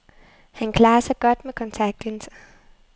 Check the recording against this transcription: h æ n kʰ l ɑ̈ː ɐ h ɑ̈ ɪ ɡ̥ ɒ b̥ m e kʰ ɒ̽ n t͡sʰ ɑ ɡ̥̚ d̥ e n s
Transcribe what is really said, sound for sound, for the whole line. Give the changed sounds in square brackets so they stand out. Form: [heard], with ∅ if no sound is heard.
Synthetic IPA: h æ n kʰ l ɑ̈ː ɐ [s] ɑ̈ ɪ ɡ̥ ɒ [d̥] m e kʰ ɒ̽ n t͡sʰ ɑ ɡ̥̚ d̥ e n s